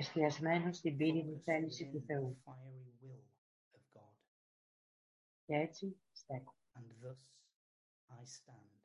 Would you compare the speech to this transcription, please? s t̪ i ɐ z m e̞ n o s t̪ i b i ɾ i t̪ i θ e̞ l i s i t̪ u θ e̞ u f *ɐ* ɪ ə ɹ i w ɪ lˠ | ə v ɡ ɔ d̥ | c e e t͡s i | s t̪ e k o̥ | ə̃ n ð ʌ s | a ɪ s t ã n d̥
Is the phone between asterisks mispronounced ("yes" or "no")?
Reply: yes